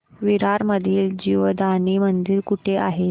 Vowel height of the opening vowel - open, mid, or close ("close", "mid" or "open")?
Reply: close